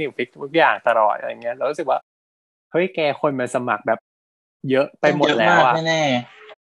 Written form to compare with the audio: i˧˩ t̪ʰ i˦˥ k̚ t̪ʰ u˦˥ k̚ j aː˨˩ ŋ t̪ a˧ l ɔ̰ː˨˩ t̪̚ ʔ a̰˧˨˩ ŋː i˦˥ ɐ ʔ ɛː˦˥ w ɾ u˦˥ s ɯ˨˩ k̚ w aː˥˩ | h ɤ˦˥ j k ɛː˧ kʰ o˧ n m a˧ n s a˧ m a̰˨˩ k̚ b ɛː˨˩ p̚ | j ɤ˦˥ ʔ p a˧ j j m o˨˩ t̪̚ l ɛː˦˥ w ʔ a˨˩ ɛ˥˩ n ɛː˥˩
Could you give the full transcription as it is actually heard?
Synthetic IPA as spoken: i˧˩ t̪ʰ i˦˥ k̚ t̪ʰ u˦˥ k̚ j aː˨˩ ŋ t̪ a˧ l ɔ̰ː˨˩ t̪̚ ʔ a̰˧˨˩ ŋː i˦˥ ɐ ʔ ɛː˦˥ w ɾ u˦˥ s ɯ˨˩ k̚ w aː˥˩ | h ɤ˦˥ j k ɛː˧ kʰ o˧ n m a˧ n s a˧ m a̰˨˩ k̚ b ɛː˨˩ p̚ | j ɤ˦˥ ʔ p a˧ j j m o˨˩ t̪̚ l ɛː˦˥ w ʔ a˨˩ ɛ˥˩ n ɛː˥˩